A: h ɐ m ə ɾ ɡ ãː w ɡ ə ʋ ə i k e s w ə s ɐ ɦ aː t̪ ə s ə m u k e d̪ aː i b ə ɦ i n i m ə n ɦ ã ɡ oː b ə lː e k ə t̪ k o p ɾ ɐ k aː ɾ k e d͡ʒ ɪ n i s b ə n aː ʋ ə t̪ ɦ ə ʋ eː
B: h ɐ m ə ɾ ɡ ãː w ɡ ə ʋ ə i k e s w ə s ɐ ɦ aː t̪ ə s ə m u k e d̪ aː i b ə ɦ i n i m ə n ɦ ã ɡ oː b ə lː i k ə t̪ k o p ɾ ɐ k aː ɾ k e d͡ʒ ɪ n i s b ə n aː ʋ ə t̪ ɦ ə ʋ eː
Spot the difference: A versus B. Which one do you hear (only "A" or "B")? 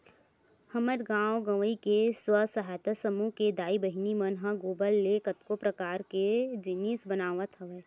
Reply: A